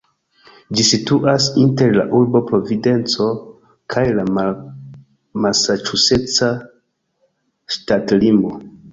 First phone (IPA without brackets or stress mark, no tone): d͡ʒ